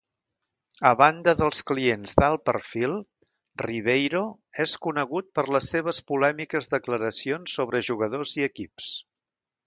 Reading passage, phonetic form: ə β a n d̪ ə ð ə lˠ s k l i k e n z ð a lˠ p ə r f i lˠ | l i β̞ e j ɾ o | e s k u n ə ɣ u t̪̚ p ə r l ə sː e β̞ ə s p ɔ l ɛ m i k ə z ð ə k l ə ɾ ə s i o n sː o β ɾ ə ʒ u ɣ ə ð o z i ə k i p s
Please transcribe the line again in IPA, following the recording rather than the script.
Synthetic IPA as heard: ə β a n d̪ ə ð ə lˠ s k l i e n z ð a lˠ p ə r f i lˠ | r i β̞ e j ɾ o | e s k u n ə ɣ u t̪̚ p ə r l ə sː e β̞ ə s p u l ɛ m i k ə z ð ə k l ə ɾ ə s i o n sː o β ɾ ə ʒ u ɣ ə ð o z i ə k i p s